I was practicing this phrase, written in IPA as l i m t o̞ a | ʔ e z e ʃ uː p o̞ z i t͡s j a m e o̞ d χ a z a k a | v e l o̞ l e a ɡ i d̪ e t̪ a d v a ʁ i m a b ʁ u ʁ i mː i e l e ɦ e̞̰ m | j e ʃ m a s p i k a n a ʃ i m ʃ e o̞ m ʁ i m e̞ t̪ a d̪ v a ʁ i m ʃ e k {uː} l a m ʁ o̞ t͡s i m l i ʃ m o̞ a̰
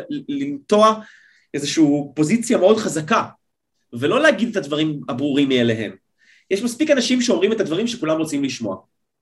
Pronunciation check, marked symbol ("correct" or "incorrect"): incorrect